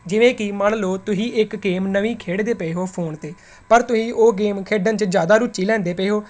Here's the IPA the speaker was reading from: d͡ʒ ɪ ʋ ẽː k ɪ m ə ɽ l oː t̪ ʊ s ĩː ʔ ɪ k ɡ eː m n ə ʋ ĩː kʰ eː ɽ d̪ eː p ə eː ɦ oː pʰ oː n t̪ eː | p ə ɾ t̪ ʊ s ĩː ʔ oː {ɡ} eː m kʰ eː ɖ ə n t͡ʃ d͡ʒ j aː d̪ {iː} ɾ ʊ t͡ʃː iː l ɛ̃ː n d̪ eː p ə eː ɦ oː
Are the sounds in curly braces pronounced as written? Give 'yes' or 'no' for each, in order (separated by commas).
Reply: yes, no